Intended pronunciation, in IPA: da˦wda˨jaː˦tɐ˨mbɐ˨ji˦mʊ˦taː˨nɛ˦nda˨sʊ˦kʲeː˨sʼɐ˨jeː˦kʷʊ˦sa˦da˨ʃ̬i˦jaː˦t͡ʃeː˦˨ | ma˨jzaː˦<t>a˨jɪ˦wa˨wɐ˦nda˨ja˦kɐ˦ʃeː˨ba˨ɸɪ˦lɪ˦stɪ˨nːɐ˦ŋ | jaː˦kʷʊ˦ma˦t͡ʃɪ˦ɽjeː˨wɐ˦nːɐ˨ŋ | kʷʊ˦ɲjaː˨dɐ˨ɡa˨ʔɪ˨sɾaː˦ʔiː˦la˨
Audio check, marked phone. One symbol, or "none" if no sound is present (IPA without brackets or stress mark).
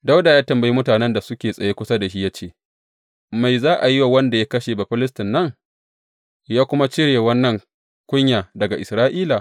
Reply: ʔ